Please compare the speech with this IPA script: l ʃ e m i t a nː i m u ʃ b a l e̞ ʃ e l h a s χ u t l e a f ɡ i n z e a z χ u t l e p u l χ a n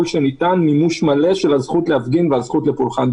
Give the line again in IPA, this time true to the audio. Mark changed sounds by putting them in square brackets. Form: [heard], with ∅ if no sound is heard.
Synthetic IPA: l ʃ e [n] i t a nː i m u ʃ [m] a l e̞ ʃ e l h a [z] χ u t l e a f ɡ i n [v] e a z χ u t l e p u l χ a n